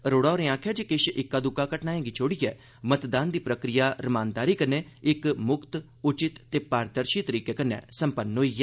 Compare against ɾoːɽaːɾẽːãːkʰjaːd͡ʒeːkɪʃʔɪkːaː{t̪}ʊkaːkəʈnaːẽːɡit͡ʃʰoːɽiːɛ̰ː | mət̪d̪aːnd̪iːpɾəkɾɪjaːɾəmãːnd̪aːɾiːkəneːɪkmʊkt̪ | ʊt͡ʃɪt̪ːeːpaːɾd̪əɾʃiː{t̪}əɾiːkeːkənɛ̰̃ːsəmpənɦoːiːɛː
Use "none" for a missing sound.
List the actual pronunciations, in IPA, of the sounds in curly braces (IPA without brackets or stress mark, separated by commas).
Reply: d̪, t̪